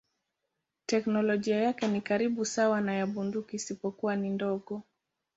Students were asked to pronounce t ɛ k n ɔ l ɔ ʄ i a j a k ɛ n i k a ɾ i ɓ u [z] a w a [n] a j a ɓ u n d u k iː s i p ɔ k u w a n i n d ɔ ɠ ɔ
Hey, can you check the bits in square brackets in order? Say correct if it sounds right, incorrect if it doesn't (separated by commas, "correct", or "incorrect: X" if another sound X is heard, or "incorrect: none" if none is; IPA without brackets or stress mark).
incorrect: s, correct